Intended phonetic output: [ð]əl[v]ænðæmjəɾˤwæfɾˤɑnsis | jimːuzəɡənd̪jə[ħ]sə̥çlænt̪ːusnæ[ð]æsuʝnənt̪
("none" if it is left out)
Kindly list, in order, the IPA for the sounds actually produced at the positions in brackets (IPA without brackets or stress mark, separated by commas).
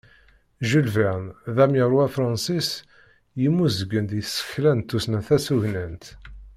ʒ, v, θ, θ